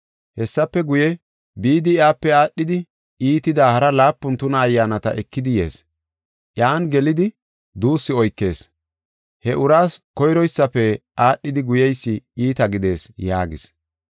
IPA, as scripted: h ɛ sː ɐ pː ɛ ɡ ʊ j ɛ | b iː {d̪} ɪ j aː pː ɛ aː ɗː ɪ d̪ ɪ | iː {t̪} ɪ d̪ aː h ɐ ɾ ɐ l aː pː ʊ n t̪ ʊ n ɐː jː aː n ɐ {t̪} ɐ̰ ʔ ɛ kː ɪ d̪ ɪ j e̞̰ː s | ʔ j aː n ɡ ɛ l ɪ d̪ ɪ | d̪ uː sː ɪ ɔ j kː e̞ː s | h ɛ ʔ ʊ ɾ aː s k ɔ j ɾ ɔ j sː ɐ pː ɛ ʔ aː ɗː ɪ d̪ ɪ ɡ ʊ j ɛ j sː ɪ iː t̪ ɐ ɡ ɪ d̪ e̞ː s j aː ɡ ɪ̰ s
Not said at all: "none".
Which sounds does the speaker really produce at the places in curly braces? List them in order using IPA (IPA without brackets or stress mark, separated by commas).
d̪, t̪, t̪